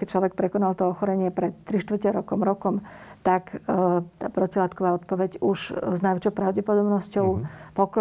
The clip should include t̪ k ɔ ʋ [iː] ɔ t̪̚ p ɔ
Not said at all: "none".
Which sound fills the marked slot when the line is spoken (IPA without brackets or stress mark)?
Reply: aː